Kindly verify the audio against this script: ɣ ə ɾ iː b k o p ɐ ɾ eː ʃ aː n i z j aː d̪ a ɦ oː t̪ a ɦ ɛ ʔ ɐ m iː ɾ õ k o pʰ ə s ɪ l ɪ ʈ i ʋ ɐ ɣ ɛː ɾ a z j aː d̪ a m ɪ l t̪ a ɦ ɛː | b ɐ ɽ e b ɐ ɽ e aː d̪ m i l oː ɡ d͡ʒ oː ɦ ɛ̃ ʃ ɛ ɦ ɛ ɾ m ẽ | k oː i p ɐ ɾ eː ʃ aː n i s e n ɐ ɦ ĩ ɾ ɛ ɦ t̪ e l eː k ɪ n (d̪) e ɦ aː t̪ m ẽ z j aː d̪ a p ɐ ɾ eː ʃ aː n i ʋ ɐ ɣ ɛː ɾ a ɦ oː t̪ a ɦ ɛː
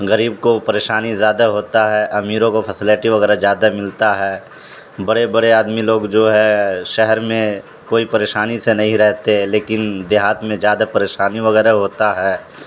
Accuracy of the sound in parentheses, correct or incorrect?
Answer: correct